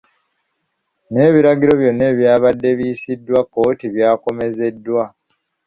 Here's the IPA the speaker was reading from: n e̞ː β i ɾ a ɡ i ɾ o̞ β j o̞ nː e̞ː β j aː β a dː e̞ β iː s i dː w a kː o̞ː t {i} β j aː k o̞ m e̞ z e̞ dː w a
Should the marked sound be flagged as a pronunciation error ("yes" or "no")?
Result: no